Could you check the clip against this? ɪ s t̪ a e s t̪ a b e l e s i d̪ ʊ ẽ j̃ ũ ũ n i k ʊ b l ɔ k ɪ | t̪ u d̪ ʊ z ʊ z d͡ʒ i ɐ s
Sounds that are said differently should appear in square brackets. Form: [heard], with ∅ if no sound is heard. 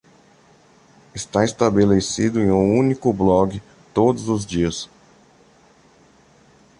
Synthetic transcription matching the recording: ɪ s t̪ a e s t̪ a b e l e s i d̪ ʊ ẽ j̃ ũ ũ n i k ʊ b l ɔ [ɡ] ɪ | t̪ [o] d̪ ʊ z ʊ z d͡ʒ i ɐ s